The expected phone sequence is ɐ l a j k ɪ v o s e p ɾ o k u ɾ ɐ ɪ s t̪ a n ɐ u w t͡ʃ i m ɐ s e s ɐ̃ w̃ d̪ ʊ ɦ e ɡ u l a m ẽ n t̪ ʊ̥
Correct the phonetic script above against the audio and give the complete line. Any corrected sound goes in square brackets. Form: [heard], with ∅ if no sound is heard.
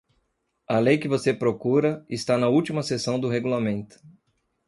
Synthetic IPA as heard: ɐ l [e] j k ɪ v o s e p ɾ o k u ɾ ɐ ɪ s t̪ a n ɐ u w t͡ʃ i m ɐ s e s ɐ̃ w̃ d̪ ʊ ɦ e ɡ u l a m ẽ n t̪ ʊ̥